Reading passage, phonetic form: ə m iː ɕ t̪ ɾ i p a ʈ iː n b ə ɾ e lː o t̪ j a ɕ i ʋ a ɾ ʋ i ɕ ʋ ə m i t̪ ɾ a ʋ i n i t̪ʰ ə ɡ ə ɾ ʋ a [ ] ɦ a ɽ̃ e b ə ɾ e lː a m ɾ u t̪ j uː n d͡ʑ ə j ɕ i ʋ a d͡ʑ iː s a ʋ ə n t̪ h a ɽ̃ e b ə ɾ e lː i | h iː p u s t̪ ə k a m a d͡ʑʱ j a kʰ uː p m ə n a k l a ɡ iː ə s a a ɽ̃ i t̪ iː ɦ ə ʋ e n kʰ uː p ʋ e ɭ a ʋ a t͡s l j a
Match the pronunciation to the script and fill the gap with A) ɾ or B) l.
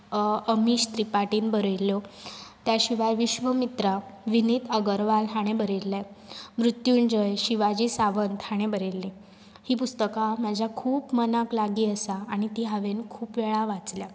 B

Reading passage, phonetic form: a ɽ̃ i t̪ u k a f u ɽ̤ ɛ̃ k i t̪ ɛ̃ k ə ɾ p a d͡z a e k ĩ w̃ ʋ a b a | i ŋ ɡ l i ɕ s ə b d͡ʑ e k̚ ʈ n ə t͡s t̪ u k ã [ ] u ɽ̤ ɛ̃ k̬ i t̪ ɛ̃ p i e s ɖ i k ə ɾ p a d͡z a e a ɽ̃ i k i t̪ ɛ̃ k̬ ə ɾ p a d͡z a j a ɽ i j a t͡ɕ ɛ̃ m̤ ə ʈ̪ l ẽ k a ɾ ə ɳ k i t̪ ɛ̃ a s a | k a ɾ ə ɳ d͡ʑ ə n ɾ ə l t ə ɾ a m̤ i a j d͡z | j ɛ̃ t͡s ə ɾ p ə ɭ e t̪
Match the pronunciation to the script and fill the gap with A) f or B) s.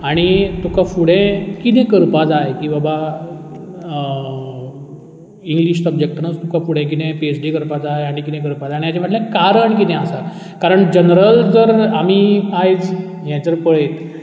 A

